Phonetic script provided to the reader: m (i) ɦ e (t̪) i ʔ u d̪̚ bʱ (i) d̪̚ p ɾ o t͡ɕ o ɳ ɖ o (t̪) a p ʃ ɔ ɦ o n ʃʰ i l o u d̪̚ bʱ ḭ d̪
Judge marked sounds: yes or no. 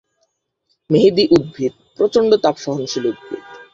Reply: no, no, yes, yes

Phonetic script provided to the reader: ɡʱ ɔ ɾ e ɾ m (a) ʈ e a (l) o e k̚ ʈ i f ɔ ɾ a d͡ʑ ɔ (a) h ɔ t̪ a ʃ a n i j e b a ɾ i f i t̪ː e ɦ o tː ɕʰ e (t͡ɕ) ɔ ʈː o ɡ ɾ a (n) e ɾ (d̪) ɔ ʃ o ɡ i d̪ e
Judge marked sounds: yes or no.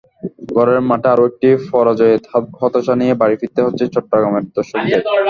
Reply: yes, no, no, yes, no, yes

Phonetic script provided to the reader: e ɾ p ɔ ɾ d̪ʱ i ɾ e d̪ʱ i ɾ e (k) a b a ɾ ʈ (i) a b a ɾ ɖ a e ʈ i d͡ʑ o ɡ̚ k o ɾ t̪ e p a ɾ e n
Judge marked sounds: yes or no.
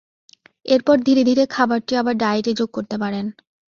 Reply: no, yes

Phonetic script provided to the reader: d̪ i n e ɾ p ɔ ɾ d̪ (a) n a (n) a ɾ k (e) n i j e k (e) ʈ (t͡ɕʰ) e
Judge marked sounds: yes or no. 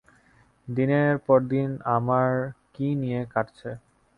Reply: no, no, no, no, yes

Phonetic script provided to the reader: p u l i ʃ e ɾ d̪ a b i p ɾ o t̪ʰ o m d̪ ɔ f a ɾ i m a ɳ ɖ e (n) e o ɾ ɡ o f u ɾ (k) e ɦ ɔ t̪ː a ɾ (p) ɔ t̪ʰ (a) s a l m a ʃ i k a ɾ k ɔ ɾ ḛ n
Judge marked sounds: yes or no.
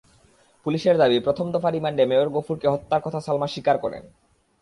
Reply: no, yes, no, yes

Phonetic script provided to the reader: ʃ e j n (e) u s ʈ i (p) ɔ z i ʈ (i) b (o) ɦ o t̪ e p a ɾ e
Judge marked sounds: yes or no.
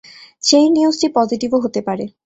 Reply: no, yes, yes, yes

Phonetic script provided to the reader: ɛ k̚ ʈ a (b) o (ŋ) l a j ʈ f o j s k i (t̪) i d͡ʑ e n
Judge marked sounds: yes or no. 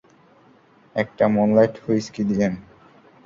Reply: no, no, no

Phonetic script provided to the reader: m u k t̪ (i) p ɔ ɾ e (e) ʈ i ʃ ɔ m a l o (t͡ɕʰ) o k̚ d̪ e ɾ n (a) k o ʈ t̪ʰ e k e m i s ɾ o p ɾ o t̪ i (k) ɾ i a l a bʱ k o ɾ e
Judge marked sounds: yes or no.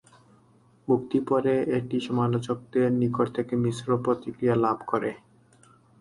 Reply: yes, yes, no, no, yes

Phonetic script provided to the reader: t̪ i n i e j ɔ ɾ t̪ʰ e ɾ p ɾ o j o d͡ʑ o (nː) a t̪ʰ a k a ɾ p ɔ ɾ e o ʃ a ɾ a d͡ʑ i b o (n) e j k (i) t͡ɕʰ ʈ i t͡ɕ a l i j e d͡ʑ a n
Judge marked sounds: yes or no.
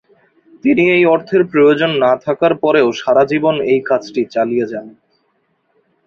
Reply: yes, yes, no

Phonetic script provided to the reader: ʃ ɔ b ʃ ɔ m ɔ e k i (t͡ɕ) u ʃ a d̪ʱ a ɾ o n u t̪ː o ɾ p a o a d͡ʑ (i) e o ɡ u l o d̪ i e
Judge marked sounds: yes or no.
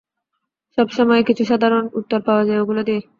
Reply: no, no

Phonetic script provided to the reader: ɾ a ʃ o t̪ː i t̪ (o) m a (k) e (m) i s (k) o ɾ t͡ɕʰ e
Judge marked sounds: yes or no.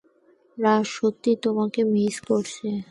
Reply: yes, yes, yes, yes

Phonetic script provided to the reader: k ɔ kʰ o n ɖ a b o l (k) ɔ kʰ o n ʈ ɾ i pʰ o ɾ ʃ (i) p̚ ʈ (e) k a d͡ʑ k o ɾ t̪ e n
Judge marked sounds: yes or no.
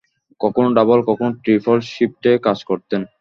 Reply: yes, yes, yes

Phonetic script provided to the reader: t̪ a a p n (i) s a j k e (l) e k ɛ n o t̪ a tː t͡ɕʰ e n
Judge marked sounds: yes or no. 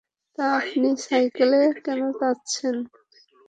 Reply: yes, yes

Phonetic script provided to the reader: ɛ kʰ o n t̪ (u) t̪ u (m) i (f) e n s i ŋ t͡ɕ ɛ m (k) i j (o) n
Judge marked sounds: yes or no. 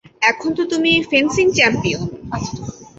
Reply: no, yes, yes, no, yes

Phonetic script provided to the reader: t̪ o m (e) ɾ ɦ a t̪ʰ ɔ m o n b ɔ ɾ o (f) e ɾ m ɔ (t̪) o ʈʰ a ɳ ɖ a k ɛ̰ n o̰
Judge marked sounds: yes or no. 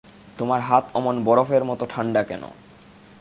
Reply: no, yes, yes

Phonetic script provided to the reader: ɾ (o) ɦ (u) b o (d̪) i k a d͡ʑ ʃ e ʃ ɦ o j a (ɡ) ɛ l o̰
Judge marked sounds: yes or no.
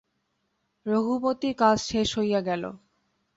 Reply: yes, yes, no, yes

